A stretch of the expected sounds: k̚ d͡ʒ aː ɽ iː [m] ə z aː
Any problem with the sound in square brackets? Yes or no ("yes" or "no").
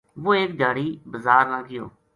yes